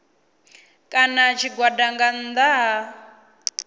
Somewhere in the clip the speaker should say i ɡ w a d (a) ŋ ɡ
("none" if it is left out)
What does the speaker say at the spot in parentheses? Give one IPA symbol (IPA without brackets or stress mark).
a